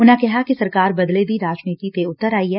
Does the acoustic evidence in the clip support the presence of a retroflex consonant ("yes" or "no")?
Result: no